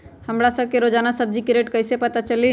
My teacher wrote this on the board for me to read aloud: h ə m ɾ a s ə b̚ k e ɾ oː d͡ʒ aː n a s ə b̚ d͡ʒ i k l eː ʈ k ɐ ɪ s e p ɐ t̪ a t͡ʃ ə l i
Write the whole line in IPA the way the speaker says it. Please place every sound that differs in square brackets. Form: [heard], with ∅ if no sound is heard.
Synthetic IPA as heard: h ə m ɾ a s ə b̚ k e ɾ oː d͡ʒ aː n a s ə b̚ d͡ʒ i k [ɾ] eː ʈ k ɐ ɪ s e p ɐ t̪ a t͡ʃ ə l i